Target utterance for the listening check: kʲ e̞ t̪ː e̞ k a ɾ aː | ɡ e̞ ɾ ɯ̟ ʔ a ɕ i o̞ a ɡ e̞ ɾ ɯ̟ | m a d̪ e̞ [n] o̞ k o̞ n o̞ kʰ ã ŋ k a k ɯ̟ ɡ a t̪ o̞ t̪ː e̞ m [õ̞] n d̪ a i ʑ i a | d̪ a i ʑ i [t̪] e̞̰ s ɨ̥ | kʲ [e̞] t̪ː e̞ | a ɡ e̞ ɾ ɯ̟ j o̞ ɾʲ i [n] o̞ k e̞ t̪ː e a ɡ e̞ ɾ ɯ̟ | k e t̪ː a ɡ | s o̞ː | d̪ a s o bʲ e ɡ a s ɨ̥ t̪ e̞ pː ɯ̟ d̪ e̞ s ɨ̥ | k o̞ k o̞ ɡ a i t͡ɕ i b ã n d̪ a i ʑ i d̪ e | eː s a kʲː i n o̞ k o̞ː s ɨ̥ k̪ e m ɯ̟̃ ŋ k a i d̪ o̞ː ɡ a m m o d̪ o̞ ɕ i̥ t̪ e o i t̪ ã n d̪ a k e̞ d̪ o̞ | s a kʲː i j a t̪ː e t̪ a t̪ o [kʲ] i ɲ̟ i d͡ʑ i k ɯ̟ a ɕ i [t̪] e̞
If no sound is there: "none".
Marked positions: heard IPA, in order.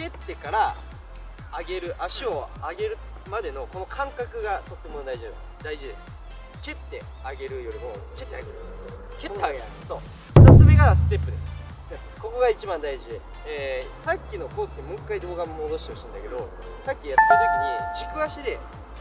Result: n, o̞, d̪, e̞, m, kʲ, d̪

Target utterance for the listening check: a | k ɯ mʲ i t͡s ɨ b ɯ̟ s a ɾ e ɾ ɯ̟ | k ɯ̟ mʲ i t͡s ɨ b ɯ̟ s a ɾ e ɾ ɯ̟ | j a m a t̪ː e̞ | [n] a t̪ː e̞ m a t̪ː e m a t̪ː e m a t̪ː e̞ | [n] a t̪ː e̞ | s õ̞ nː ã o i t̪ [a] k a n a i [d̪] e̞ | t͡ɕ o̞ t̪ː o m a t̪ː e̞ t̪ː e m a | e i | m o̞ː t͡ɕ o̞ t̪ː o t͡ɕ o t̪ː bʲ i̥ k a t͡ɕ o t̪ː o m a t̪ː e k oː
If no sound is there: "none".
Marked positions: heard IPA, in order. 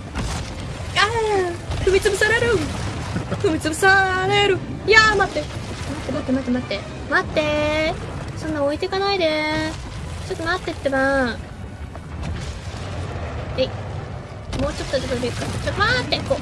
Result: m, m, e, d̪

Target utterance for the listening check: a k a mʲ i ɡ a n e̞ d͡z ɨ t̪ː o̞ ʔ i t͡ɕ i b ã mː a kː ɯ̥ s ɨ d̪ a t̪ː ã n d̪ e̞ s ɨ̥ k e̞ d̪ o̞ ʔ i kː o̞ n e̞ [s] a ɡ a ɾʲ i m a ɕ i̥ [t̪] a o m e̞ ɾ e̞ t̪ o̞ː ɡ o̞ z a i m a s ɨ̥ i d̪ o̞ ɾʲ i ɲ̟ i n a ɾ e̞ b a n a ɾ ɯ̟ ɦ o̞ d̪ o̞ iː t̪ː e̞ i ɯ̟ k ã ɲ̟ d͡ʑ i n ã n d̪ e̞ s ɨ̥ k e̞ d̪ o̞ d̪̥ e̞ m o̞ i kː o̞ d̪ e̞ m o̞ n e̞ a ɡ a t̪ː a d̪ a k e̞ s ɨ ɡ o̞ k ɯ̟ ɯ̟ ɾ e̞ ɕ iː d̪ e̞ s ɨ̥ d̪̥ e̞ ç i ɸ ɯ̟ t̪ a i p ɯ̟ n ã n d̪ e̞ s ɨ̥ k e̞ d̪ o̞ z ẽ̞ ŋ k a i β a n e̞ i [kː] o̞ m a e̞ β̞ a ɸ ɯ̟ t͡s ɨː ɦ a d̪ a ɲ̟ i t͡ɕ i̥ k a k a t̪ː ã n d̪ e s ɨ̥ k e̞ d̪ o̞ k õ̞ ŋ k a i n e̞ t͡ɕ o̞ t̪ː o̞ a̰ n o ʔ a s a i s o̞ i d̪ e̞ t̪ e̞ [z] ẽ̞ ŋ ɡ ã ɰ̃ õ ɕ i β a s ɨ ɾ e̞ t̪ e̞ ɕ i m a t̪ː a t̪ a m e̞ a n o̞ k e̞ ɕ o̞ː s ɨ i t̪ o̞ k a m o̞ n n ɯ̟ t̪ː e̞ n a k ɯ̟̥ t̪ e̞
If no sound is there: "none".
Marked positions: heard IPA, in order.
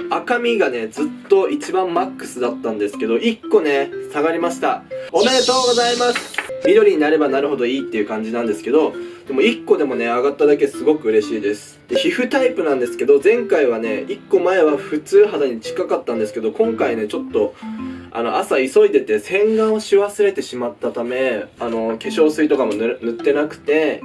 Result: s, t̪, kː, s

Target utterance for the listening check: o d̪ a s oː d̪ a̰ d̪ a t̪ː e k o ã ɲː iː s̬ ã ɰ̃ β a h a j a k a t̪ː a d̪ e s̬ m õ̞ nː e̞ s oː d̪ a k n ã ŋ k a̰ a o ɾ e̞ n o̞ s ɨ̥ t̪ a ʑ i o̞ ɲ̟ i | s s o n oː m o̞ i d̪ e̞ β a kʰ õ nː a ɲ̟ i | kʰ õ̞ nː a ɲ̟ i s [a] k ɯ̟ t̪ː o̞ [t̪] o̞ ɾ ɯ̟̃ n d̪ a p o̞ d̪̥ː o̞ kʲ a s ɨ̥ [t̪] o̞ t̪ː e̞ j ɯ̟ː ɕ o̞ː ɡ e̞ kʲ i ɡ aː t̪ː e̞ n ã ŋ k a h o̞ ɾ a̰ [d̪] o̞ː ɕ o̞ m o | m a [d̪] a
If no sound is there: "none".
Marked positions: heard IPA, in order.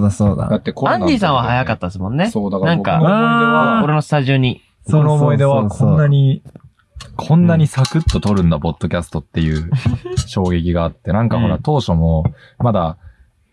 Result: a, t̪, t̪, t̪, d̪

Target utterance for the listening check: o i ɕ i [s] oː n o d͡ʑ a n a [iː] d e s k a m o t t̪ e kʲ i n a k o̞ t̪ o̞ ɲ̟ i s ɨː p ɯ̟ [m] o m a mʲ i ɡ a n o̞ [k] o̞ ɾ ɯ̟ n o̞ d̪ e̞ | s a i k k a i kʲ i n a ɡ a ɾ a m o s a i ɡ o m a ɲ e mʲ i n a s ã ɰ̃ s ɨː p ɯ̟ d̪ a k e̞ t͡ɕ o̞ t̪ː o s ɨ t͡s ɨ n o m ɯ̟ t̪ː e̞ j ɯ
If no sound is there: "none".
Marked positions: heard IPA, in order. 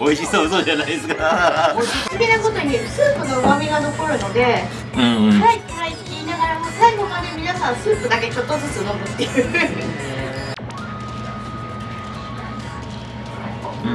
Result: s, i, n, k

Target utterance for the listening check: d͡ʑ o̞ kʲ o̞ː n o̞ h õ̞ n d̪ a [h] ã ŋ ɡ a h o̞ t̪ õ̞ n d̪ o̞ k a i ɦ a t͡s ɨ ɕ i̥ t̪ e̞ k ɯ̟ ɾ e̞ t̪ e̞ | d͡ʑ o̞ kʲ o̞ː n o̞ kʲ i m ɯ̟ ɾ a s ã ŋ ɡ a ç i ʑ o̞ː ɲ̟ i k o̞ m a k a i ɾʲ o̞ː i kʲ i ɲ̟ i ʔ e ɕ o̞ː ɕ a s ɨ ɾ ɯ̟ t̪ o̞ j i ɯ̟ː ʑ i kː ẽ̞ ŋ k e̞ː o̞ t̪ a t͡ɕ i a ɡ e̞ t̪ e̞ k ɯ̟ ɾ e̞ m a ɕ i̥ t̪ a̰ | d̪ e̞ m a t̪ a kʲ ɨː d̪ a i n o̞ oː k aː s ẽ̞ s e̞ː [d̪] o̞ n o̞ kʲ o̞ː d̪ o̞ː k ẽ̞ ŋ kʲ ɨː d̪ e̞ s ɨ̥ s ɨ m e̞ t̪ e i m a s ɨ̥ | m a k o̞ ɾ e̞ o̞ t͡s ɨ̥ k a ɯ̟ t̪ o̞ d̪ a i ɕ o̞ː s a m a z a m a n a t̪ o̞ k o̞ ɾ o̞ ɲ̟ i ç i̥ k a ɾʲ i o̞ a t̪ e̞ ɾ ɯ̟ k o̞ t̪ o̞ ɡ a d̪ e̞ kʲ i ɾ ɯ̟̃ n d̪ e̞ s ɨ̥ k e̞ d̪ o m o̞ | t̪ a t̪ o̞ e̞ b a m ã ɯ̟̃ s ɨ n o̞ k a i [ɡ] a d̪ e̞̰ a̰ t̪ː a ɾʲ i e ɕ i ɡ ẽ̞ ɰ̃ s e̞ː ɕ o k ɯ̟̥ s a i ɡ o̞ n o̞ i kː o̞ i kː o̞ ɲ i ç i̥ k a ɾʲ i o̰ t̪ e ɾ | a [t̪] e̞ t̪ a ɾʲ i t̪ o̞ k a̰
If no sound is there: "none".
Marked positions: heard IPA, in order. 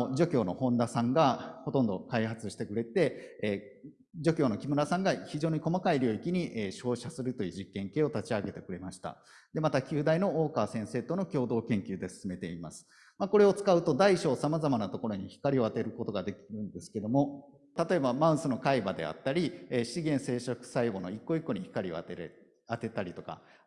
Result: s, t̪, b, t̪

